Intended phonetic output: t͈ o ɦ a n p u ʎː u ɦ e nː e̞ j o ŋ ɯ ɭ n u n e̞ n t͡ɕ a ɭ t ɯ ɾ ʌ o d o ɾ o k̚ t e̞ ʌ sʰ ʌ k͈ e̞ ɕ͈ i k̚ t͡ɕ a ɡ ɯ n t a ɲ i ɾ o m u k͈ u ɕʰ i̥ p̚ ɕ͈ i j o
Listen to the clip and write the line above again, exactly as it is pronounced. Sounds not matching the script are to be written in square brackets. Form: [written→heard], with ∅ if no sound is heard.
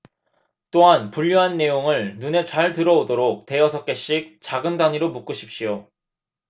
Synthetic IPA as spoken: t͈ o ɦ a n p u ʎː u ɦ [e→a] nː e̞ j o ŋ ɯ ɭ n u n e̞ [n→∅] t͡ɕ a ɭ t ɯ ɾ ʌ o d o ɾ o k̚ t e̞ ʌ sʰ ʌ k͈ e̞ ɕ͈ i k̚ t͡ɕ a ɡ ɯ n [t→d] a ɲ i ɾ o m u k͈ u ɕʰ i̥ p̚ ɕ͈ i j o